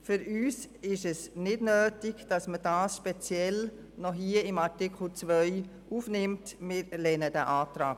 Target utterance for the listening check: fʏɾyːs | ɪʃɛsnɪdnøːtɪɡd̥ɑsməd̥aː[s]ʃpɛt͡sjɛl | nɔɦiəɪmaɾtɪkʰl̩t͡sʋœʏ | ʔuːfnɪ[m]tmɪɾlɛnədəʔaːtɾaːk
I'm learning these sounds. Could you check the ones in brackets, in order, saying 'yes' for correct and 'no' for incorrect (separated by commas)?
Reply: yes, yes